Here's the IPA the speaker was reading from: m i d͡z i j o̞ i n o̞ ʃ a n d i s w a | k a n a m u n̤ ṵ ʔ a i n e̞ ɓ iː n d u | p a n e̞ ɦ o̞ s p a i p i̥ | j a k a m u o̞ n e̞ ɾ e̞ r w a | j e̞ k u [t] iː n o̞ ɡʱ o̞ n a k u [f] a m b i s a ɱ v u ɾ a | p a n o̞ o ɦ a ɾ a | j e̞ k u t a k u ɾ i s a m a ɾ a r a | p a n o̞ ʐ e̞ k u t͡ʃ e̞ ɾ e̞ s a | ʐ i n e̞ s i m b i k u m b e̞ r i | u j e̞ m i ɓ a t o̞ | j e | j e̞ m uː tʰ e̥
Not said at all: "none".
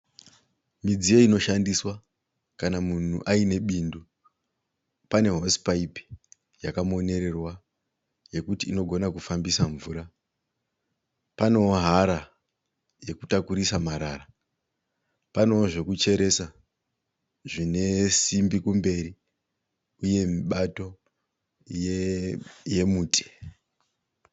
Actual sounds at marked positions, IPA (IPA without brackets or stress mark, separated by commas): t, f